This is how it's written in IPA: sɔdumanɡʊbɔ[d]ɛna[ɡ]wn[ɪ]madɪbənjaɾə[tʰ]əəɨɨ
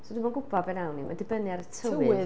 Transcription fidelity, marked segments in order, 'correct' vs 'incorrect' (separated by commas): incorrect, incorrect, incorrect, correct